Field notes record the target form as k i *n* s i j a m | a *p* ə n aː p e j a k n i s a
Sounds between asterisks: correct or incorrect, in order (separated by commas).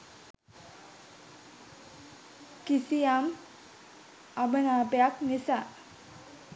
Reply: incorrect, incorrect